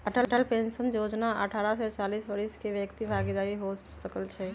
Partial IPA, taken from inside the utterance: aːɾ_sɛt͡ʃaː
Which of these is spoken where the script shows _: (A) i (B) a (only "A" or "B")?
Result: B